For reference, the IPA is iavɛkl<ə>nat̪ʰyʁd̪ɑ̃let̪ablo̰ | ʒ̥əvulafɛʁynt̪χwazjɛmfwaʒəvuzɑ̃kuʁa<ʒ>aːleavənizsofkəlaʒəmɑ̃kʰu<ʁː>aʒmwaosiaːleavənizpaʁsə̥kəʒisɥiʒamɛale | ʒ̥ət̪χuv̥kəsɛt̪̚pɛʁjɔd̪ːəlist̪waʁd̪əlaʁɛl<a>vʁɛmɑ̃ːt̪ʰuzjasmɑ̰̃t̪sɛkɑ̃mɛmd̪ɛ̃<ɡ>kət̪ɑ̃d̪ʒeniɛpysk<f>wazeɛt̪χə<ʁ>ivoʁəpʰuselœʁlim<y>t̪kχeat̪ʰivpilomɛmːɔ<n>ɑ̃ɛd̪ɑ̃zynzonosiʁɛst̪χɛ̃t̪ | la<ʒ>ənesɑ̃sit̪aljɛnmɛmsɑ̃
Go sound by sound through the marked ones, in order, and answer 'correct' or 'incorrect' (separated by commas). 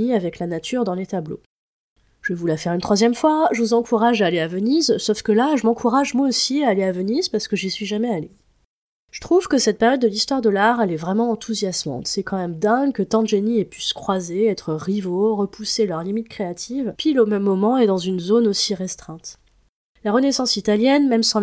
incorrect, correct, incorrect, incorrect, correct, incorrect, correct, incorrect, incorrect, incorrect